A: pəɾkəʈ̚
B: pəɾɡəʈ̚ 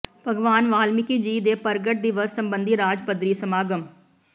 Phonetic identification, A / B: B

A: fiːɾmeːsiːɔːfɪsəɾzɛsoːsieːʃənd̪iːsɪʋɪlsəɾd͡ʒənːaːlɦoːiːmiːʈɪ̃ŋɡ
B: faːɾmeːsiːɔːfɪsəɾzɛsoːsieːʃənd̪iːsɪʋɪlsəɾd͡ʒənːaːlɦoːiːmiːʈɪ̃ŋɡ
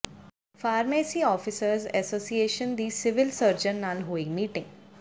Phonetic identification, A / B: B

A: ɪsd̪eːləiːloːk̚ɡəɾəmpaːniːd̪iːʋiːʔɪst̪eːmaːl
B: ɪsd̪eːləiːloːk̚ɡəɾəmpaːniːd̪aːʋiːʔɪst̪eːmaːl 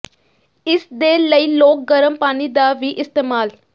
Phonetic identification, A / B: B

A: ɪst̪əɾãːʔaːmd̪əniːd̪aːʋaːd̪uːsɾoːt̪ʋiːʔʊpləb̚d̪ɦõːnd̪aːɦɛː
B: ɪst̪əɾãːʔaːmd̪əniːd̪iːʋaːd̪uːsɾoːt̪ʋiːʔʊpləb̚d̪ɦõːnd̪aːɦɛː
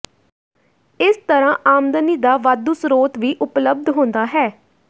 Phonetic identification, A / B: A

